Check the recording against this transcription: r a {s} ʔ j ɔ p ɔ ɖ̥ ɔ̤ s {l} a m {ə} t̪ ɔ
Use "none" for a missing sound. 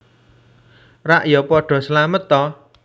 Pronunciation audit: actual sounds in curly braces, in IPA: none, l, ə

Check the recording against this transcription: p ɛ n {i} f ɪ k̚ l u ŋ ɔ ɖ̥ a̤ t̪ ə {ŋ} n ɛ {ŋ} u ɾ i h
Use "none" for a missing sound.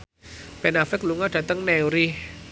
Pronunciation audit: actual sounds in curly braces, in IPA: a, ŋ, none

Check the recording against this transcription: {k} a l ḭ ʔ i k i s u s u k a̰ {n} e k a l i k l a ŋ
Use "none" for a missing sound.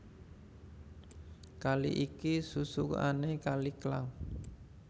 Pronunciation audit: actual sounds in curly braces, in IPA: k, n

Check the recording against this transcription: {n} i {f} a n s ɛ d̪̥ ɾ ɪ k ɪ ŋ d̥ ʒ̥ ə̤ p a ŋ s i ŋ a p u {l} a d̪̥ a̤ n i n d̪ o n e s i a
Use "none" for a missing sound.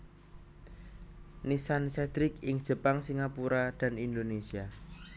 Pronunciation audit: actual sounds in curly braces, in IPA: n, s, ɾ

